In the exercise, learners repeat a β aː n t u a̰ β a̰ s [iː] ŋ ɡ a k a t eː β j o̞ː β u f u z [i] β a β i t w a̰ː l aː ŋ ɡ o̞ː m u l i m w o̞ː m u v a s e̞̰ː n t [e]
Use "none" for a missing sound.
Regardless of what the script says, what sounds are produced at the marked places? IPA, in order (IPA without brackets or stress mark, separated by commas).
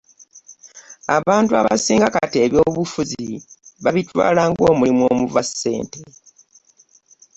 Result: iː, i, e